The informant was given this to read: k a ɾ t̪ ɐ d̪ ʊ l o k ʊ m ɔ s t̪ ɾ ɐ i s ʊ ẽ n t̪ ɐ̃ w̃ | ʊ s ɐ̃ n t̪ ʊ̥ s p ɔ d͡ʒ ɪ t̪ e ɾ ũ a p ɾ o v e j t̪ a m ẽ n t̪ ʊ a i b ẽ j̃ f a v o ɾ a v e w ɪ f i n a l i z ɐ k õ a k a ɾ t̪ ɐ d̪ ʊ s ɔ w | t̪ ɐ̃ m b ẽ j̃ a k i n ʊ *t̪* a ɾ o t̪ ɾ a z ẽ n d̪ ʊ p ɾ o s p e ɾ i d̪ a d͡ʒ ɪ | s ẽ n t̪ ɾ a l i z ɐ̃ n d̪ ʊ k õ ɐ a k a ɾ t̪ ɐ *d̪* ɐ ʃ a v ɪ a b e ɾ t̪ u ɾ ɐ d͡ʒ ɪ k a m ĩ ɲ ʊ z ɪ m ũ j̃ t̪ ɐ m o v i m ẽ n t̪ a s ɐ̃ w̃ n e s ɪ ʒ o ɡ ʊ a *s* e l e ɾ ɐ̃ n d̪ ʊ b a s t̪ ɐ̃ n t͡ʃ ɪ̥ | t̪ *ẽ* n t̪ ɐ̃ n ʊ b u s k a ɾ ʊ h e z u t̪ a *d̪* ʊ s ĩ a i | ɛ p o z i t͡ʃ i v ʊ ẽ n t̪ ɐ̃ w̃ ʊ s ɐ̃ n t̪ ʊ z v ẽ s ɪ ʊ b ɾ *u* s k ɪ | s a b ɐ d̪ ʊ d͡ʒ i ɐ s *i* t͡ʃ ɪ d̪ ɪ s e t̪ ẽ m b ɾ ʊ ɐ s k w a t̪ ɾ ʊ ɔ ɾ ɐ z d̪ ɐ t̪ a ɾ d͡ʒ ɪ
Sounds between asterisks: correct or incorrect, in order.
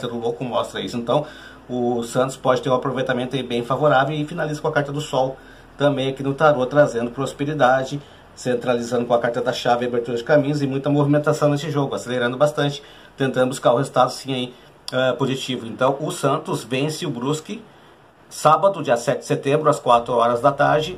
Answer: correct, correct, correct, correct, correct, correct, incorrect

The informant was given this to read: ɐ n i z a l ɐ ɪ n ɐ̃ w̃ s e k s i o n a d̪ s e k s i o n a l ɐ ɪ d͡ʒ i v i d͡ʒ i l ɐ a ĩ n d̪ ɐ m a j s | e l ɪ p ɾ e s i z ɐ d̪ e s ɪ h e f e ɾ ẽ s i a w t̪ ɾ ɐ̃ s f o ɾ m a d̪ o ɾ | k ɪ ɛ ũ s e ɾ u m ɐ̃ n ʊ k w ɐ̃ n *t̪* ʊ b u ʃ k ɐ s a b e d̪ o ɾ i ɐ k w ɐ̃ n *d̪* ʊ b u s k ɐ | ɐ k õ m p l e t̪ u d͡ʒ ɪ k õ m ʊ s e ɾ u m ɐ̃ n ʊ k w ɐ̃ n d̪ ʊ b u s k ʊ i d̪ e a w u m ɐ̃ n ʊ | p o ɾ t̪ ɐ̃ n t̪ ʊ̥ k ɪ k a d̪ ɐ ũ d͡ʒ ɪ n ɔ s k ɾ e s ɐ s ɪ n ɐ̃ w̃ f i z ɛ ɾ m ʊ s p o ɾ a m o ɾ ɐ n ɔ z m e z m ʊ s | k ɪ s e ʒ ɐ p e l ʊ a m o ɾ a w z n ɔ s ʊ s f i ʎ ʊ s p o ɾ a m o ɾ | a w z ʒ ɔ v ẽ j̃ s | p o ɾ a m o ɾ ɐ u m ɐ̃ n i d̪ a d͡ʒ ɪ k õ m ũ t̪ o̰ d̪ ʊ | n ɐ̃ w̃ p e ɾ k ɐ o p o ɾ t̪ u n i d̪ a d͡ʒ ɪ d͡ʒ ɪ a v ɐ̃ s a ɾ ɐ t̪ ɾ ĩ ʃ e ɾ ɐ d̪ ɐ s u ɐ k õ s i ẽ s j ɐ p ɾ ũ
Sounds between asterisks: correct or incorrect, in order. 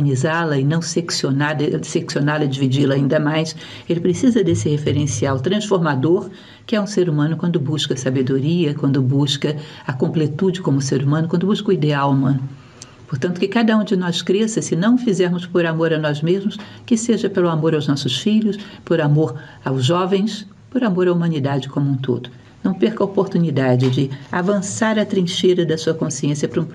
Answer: incorrect, correct

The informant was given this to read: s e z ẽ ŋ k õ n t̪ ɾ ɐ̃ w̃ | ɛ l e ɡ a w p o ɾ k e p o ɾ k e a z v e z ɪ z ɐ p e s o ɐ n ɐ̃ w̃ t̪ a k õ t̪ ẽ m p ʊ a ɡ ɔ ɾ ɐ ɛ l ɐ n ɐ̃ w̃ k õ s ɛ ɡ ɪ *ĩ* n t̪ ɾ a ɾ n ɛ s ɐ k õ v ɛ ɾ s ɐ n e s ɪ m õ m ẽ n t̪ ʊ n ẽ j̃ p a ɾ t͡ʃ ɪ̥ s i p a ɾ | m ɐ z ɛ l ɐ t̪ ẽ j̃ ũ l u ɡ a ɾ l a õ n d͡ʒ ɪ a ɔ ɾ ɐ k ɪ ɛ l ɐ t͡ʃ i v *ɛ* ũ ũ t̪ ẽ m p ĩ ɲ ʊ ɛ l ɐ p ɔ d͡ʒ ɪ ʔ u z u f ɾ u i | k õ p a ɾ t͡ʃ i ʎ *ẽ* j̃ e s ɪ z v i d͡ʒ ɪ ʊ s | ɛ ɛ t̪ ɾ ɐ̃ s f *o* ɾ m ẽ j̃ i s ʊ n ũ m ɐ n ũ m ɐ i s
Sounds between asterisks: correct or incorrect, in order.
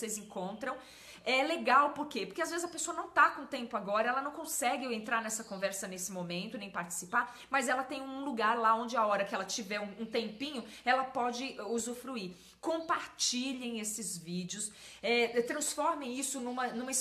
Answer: incorrect, correct, correct, incorrect

